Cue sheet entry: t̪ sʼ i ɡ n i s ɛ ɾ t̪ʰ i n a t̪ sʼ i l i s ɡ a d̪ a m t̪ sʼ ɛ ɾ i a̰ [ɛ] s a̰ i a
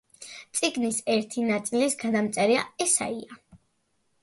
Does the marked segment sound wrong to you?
no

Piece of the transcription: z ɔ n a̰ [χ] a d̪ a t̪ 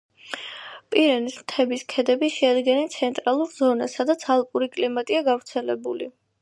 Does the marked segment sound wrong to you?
yes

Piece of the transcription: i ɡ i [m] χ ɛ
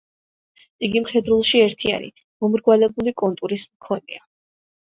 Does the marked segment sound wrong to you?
no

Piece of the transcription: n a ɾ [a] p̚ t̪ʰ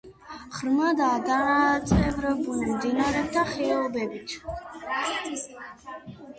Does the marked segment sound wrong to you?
yes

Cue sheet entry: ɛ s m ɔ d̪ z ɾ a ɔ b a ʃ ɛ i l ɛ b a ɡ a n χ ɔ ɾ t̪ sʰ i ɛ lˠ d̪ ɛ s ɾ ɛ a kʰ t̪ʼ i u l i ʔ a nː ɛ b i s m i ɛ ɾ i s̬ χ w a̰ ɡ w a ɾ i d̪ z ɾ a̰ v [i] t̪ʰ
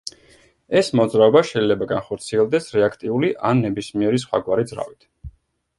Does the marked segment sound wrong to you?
no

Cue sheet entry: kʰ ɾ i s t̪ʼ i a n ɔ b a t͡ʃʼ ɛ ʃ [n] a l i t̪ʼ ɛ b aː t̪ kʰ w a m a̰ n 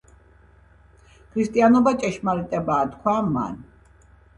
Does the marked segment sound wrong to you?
yes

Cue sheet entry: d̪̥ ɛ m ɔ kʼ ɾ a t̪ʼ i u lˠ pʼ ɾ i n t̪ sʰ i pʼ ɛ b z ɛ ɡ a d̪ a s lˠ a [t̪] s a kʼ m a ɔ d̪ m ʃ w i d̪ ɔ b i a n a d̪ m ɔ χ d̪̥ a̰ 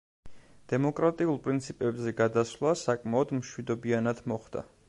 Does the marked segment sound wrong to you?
yes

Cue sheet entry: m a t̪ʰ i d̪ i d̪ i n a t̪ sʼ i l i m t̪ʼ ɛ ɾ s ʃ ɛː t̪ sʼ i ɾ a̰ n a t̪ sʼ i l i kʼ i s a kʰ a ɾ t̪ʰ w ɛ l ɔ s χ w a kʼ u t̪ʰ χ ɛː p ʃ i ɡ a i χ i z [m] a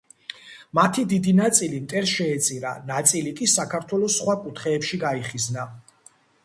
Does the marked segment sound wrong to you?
yes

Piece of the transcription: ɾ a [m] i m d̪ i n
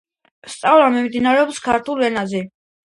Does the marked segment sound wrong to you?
no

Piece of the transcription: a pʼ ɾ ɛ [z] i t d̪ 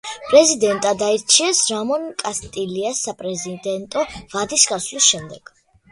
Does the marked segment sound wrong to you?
no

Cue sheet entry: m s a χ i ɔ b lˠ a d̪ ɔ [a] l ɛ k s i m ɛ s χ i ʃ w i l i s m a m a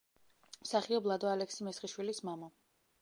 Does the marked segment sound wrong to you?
no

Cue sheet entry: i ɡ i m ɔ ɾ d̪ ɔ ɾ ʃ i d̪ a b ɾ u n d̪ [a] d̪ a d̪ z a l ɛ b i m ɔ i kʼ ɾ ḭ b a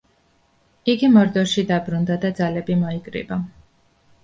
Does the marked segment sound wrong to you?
no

